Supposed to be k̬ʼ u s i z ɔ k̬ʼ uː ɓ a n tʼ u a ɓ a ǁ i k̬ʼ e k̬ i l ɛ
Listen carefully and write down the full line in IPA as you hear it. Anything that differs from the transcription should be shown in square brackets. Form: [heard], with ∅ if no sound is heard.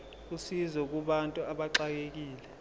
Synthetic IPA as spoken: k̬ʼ u s i z ɔ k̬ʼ [u] ɓ a n tʼ u a ɓ a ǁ [a] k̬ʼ e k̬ [iː] l ɛ